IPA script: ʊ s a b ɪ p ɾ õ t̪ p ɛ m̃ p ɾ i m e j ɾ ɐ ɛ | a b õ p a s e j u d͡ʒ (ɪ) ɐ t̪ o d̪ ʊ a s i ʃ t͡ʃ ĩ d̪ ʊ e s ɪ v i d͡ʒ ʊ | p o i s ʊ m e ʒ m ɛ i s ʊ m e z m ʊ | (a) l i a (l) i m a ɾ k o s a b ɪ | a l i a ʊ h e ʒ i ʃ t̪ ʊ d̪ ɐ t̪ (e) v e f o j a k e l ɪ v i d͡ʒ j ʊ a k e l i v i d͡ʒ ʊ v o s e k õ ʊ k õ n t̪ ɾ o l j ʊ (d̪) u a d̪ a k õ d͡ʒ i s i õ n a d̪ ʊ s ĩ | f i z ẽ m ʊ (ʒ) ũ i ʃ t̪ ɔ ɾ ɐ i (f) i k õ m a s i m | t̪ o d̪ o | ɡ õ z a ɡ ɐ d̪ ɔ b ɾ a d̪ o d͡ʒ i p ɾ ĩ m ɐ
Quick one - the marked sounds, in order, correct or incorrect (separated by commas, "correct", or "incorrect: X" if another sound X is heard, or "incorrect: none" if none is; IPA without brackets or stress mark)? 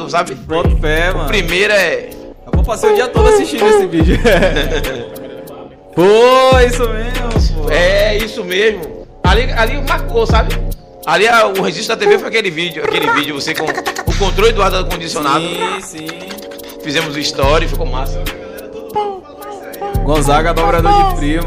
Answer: incorrect: i, correct, correct, correct, correct, incorrect: z, correct